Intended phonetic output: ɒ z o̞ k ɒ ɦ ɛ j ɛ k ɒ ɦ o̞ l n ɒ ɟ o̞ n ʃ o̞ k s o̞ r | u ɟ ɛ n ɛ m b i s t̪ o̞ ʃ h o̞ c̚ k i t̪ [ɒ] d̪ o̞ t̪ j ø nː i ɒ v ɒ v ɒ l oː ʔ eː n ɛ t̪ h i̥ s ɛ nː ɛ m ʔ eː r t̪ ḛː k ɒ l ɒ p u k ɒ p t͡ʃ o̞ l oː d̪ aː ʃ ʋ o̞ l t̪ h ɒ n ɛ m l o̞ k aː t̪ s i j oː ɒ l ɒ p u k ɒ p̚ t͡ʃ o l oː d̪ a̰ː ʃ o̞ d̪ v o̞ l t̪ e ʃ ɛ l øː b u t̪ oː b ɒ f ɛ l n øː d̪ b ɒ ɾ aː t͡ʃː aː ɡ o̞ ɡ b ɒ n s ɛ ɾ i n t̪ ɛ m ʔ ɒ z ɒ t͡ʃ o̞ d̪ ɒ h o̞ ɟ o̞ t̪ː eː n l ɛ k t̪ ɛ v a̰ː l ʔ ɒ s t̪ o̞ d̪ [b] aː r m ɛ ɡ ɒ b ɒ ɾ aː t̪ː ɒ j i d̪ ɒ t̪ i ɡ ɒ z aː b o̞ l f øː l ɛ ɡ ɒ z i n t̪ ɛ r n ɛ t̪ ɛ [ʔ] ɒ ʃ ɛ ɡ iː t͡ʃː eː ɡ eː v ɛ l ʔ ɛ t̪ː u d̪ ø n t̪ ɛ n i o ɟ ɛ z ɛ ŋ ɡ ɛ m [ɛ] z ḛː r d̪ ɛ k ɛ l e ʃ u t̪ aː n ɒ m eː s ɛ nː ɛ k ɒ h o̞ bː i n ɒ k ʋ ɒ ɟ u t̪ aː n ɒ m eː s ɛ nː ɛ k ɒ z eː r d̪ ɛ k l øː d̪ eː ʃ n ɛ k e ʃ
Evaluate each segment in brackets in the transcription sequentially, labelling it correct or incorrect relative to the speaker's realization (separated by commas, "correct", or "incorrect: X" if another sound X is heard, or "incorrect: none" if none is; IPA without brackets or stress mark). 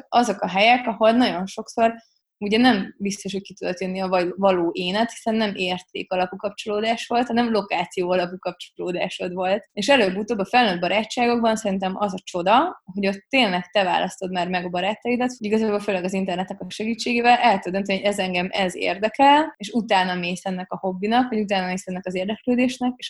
incorrect: u, incorrect: m, incorrect: k, correct